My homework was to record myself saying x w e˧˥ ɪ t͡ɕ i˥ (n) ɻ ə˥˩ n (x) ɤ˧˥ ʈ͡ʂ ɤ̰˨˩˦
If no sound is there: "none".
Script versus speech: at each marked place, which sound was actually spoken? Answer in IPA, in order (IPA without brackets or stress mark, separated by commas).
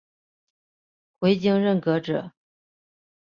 ŋ, k